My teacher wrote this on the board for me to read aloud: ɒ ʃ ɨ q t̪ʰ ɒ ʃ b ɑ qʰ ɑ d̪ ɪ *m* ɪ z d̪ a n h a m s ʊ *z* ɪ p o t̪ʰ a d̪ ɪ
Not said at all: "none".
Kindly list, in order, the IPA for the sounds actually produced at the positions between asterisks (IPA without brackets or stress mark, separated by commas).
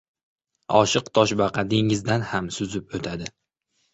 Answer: ŋ, z